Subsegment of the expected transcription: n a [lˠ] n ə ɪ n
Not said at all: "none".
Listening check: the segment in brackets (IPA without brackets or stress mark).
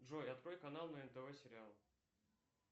lˠ